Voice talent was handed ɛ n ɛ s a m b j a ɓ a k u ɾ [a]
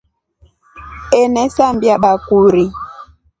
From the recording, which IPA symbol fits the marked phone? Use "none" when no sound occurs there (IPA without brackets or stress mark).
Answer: i